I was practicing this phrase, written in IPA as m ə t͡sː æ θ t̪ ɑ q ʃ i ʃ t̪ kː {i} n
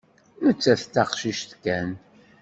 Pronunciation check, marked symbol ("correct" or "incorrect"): incorrect